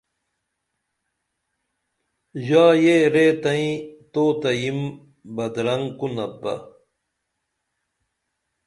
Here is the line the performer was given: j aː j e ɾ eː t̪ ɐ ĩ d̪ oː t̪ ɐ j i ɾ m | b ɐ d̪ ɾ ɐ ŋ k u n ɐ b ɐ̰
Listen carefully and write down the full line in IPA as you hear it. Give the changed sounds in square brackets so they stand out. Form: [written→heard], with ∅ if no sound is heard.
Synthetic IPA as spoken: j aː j e ɾ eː t̪ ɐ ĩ [d̪→t̪] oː t̪ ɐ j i [ɾ→∅] m | b ɐ d̪ ɾ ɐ ŋ k u n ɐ b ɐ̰